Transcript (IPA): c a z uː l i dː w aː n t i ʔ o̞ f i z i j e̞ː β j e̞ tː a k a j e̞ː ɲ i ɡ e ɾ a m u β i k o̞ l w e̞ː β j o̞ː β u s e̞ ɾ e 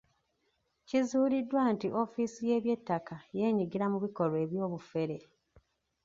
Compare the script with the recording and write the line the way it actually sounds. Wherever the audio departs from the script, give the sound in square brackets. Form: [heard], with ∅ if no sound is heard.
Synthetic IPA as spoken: c [i] z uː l i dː w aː n t i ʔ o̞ f i [s] i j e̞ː β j e̞ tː a k a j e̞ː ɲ i ɡ [i] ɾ a m u β i k o̞ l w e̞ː β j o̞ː β u [f] e̞ ɾ e